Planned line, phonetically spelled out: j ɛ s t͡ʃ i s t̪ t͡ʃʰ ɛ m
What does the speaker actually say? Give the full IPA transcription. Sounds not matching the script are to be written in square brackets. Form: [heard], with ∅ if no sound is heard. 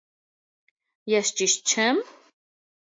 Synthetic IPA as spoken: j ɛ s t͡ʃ i [ʃ] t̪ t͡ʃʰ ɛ m